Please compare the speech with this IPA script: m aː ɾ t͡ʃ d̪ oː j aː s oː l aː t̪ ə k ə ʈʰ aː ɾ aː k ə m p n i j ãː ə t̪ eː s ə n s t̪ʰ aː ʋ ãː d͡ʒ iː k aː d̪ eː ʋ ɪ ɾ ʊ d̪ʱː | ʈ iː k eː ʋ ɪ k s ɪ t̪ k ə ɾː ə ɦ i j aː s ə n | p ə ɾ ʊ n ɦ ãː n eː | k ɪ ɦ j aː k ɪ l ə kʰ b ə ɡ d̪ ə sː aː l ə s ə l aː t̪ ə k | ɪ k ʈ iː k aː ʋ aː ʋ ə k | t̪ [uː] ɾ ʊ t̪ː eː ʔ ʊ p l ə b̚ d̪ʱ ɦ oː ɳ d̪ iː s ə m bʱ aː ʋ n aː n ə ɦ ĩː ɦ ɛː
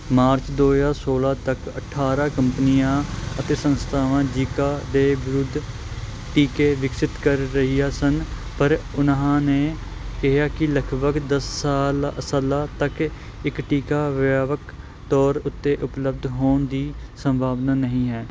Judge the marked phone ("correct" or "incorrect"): incorrect